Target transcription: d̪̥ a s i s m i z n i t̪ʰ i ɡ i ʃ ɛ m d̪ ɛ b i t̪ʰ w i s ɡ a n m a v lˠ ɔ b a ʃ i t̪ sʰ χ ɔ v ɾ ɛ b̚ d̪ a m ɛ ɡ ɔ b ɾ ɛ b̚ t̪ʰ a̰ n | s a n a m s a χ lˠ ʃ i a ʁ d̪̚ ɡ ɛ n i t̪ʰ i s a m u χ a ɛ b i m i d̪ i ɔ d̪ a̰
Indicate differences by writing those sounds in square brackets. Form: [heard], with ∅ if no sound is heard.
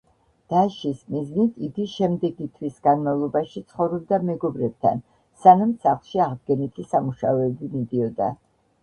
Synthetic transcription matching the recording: d̪̥ a [ʃ] i s m i z n i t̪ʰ i ɡ i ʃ ɛ m d̪ ɛ [ɡ] i t̪ʰ w i s ɡ a n m a v lˠ ɔ b a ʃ i t̪ sʰ χ ɔ v ɾ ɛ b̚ d̪ a m ɛ ɡ ɔ b ɾ ɛ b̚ t̪ʰ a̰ n | s a n a m s a χ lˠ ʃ i a ʁ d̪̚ ɡ ɛ n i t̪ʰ i s a m u [ʃ] a ɛ b i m i d̪ i ɔ d̪ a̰